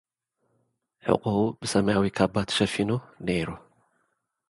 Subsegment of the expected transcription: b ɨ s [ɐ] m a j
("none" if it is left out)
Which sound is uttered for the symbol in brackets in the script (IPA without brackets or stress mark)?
ɐ